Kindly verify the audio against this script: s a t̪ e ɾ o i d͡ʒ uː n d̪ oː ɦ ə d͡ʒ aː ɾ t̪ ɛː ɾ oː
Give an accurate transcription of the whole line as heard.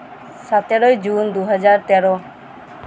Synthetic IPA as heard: s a t̪ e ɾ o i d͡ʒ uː n d̪ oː ɦ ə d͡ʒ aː ɾ t̪ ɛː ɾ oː